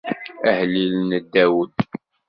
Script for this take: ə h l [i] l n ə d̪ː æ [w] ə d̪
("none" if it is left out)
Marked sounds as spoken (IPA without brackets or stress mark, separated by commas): i, w